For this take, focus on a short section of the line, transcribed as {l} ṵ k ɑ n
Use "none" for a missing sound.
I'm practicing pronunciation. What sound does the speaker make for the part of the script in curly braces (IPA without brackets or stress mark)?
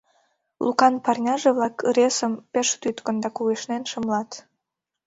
l